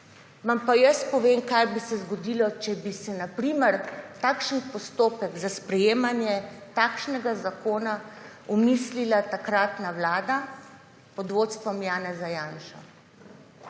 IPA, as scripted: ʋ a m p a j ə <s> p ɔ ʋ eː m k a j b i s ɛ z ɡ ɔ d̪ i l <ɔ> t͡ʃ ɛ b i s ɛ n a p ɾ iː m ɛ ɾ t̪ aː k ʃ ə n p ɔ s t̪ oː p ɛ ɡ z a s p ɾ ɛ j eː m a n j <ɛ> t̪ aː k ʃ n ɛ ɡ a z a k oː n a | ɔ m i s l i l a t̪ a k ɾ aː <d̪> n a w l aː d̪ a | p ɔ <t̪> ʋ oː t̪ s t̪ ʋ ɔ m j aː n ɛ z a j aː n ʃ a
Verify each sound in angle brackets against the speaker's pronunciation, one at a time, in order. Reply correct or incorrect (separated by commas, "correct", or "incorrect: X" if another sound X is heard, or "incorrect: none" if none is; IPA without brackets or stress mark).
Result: correct, correct, correct, incorrect: t̪, incorrect: d̪